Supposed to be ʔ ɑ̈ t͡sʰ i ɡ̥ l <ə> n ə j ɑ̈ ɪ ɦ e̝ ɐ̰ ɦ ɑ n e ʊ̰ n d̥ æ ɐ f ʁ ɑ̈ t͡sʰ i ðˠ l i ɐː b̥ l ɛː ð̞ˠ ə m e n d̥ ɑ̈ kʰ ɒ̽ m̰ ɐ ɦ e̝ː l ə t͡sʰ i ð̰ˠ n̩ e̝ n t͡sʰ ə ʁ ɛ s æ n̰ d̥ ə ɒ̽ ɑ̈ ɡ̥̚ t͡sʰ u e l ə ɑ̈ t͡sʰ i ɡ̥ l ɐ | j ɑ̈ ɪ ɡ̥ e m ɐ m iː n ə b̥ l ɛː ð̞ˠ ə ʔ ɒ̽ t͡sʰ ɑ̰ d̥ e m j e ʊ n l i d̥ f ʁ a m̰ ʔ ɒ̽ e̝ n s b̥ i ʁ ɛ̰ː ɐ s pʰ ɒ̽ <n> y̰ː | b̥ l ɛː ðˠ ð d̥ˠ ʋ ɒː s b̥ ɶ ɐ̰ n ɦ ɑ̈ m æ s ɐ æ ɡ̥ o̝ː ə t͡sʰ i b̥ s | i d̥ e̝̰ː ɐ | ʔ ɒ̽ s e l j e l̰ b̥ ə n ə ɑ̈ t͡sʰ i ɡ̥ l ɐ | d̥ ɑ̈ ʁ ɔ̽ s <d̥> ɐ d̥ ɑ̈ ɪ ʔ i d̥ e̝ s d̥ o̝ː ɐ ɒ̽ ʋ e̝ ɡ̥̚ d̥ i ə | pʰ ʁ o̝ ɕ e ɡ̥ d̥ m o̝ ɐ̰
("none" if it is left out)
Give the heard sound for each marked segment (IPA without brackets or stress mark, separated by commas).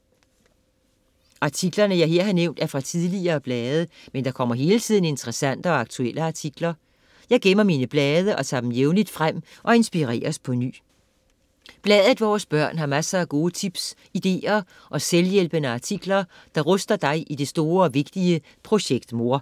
ɐ, n, d̥